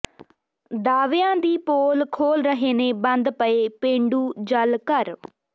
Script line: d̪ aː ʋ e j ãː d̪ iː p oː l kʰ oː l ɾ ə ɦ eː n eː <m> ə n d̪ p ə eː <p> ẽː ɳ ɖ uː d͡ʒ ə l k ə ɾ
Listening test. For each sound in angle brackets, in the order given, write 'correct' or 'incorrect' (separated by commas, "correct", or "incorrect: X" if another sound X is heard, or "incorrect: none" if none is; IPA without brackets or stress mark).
incorrect: b, correct